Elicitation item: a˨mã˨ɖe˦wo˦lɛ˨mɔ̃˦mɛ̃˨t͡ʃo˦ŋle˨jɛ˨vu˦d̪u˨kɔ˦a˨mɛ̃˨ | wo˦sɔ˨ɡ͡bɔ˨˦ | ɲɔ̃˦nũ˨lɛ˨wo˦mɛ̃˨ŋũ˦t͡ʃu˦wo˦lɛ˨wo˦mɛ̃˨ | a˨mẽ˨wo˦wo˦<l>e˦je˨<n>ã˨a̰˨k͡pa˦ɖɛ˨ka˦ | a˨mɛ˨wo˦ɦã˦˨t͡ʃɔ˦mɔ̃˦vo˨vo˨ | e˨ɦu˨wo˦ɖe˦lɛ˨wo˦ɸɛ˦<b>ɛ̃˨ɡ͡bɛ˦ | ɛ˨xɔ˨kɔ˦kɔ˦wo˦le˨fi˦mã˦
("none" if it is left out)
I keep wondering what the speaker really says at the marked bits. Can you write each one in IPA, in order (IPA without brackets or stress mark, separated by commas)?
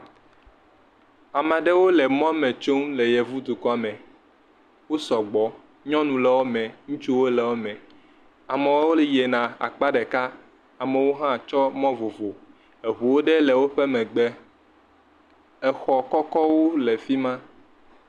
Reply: l, n, m